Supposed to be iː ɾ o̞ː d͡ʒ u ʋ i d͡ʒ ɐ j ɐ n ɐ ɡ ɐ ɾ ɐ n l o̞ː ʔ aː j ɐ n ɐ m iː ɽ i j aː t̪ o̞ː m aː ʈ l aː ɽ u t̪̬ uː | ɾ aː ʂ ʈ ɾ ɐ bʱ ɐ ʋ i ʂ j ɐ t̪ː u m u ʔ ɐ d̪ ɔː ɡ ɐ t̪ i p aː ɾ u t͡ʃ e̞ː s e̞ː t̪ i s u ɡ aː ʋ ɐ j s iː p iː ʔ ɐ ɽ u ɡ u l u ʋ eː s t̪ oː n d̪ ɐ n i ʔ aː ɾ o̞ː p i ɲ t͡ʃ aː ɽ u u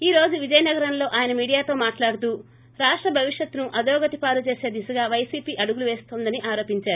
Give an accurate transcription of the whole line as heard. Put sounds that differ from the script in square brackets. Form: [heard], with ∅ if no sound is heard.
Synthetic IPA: iː ɾ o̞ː d͡ʒ u ʋ i d͡ʒ ɐ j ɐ n ɐ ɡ ɐ ɾ ɐ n l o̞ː ʔ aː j ɐ n ɐ m iː ɽ i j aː t̪ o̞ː m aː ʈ l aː ɽ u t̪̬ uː | ɾ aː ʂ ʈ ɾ ɐ bʱ ɐ ʋ i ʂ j ɐ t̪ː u [n] u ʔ ɐ d̪ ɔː ɡ ɐ t̪ i p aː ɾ u t͡ʃ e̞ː s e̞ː [d̪] i s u ɡ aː ʋ ɐ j s iː p iː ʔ ɐ ɽ u ɡ u l u ʋ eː s t̪ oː n d̪ ɐ n i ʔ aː ɾ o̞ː p i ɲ t͡ʃ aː [ɾ] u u